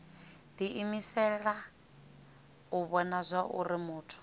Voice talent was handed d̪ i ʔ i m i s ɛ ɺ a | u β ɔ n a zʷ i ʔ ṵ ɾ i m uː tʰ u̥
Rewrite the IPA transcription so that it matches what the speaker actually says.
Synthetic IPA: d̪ i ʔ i m i s ɛ ɺ a | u β ɔ n a zʷ a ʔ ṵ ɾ i m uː tʰ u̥